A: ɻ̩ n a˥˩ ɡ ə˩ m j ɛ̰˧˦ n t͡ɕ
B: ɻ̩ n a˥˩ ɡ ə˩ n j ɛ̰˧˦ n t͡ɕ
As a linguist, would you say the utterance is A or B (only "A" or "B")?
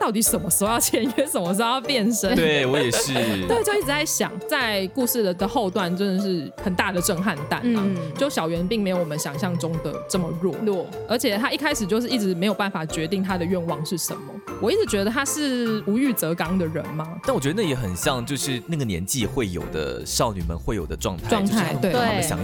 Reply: B